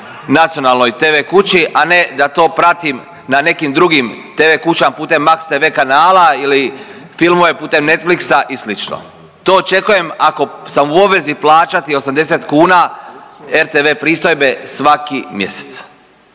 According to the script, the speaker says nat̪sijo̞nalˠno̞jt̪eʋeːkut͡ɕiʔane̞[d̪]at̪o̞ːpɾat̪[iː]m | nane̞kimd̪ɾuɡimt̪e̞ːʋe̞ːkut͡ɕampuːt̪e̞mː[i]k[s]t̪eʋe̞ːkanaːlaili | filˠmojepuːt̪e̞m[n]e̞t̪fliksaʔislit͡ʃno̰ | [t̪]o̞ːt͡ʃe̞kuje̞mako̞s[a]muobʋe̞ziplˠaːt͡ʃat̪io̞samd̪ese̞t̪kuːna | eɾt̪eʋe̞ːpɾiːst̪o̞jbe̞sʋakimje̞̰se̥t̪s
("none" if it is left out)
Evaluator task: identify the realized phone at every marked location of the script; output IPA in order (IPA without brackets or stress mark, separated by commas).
d̪, i, a, s, n, t̪, a